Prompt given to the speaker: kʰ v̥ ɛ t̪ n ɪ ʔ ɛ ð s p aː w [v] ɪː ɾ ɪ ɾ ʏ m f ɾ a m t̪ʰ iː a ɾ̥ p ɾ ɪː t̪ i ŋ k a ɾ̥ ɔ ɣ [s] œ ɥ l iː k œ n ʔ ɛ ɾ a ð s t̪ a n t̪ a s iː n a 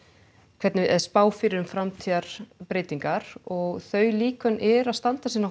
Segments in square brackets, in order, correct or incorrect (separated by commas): incorrect, incorrect